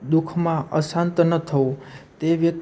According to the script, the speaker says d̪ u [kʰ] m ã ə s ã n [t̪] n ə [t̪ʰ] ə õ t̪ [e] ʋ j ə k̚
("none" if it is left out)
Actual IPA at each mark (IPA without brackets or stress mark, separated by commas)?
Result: kʰ, t̪, t̪ʰ, e